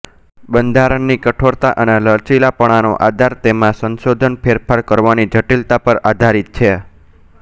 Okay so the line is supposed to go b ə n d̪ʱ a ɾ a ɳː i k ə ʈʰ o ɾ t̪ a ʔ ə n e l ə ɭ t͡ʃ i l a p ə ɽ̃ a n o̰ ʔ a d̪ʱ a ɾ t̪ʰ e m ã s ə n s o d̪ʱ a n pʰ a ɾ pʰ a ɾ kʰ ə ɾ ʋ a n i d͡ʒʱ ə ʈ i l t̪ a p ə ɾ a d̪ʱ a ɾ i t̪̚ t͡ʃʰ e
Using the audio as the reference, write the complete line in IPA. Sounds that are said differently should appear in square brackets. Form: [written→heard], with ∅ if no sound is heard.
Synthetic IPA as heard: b ə n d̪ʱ a ɾ [a→ə] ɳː i k ə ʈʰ o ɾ t̪ a ʔ ə n e l ə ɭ t͡ʃ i l a p ə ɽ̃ a n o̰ ʔ a d̪ʱ a ɾ [t̪ʰ→t̪] e m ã s ə n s o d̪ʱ [a→ə] n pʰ [a→e] ɾ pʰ a ɾ [kʰ→k] ə ɾ ʋ a n i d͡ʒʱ ə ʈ i l t̪ a p ə ɾ a d̪ʱ a ɾ i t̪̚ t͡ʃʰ e